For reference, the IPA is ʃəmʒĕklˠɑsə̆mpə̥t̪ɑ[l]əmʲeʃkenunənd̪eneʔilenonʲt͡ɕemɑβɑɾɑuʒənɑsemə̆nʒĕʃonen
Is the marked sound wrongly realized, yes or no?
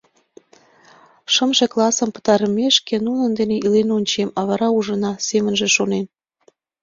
yes